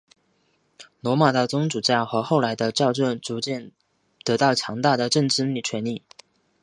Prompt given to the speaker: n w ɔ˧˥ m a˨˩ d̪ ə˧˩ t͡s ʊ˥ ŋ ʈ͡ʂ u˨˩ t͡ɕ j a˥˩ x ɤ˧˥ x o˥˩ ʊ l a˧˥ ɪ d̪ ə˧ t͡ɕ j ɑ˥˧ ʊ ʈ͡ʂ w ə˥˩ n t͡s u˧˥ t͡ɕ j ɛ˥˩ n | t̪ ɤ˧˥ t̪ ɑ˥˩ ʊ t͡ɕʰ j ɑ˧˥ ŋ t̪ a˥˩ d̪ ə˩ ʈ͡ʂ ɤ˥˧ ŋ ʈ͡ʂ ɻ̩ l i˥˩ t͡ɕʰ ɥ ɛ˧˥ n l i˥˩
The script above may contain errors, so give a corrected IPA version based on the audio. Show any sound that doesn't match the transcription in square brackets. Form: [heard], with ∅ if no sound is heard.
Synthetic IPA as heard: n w ɔ˧˥ m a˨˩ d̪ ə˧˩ t͡s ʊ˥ ŋ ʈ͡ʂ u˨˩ t͡ɕ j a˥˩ x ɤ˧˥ x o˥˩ ʊ l a˧˥ ɪ d̪ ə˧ t͡ɕ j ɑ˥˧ ʊ ʈ͡ʂ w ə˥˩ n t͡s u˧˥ t͡ɕ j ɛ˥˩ n | t̪ ɤ˧˥ t̪ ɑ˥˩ ʊ t͡ɕʰ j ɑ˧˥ ŋ t̪ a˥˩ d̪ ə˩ ʈ͡ʂ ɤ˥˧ ŋ ʈ͡ʂ ɻ̩ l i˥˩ t͡ɕʰ ɥ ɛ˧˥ n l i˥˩